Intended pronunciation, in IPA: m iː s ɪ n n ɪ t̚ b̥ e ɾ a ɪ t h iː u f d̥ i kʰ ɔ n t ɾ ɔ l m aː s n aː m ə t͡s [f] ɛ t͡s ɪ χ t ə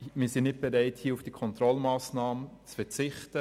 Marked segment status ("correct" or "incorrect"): correct